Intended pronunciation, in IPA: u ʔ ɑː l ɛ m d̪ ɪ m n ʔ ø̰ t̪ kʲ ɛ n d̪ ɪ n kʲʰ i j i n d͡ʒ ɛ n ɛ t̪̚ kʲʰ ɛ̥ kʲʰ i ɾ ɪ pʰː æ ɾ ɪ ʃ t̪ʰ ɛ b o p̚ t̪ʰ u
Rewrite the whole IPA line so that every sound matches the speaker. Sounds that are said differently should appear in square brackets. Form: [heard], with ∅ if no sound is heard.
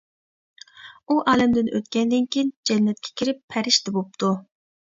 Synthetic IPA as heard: u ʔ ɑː l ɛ m d̪ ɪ [∅] n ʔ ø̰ t̪ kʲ ɛ n d̪ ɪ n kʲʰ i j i n d͡ʒ ɛ [nː] ɛ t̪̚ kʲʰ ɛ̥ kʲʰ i ɾ ɪ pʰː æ ɾ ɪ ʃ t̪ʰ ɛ b o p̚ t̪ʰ u